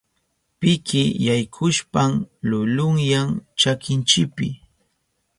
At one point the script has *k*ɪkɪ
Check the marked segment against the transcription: incorrect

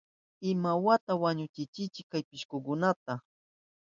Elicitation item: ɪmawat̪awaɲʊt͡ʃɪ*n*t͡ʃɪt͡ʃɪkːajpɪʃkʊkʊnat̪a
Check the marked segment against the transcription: incorrect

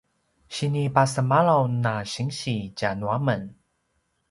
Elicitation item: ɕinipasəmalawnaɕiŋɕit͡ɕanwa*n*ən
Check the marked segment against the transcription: incorrect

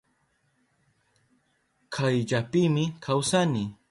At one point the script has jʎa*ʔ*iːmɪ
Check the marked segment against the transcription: incorrect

